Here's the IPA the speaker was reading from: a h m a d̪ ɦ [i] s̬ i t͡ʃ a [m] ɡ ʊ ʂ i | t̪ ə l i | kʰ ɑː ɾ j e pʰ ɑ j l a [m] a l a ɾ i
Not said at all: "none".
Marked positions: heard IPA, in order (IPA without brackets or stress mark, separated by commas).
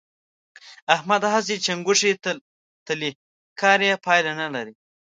a, ŋ, n